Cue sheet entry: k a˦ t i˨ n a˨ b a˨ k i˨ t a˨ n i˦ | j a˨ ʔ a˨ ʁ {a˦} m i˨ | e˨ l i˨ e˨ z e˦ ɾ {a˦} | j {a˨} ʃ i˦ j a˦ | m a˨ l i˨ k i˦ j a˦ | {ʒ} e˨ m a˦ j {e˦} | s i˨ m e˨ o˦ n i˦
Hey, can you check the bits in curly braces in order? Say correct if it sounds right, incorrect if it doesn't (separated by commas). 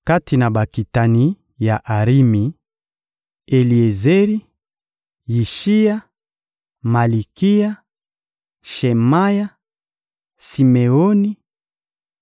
incorrect, incorrect, incorrect, incorrect, incorrect